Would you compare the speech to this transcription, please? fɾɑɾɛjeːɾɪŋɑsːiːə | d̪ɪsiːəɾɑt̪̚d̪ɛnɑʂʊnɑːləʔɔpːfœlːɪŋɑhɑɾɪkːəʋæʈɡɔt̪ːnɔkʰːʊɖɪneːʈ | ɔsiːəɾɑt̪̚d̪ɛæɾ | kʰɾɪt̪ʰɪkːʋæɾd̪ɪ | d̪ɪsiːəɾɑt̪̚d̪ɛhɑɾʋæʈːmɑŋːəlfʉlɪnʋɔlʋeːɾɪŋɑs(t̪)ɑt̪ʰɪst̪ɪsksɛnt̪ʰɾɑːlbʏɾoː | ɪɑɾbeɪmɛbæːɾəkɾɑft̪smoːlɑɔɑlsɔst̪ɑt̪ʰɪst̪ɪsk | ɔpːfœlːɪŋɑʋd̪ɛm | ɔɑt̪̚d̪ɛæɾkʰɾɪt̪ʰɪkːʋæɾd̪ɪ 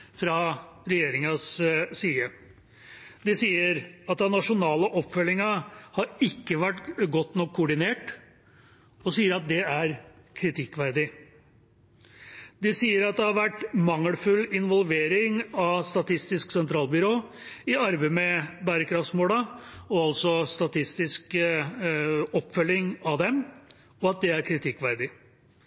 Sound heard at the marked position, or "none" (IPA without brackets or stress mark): t̪